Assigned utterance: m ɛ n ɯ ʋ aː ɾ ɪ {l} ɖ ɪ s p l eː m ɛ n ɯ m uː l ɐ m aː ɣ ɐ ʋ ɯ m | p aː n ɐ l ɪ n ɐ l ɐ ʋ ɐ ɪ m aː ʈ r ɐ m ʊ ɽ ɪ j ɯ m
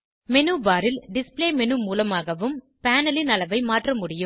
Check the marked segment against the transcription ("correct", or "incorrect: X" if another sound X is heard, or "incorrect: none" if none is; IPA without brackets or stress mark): correct